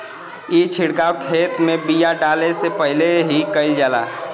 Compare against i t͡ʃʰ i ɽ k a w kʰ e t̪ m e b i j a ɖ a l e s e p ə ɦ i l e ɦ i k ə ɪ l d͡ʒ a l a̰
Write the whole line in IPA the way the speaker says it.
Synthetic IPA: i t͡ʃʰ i ɽ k a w kʰ e t̪ m e b i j a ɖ a l e s e p ə ɦ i l e ɦ i k ə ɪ l d͡ʒ a l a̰